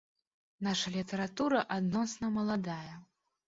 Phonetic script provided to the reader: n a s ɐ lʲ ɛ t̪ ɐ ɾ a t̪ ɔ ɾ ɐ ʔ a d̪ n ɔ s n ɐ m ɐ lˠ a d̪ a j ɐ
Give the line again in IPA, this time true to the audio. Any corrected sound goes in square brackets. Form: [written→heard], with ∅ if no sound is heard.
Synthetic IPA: n a [s→ʂ] ɐ lʲ [ɛ→i] t̪ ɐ ɾ a t̪ [ɔ→u] ɾ ɐ ʔ a d̪ n ɔ s n ɐ m ɐ lˠ a d̪ a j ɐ